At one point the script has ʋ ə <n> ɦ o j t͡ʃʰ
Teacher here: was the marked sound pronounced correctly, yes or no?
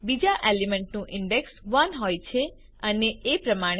yes